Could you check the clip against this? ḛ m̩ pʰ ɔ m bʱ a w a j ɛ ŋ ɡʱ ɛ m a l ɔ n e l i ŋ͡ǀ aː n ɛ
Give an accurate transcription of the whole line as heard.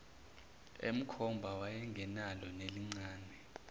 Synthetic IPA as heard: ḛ m̩ kʰ ɔ m bʱ a w a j ɛ ŋ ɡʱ ɛ n a l ɔ n e l i ŋ͡ǀ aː n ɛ